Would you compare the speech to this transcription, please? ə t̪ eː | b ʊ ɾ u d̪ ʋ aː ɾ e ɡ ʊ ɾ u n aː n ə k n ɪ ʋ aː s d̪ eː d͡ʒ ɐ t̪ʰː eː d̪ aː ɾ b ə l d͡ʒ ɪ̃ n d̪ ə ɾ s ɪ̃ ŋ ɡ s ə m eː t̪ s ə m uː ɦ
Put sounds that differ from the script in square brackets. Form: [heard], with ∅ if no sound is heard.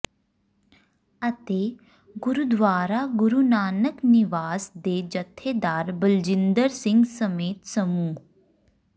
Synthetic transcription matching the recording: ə t̪ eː | [ɡ] ʊ ɾ u d̪ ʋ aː ɾ [a] ɡ ʊ ɾ u n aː n ə k n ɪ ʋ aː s d̪ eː d͡ʒ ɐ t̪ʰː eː d̪ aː ɾ b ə l d͡ʒ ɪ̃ n d̪ ə ɾ s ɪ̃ ŋ ɡ s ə m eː t̪ s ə m uː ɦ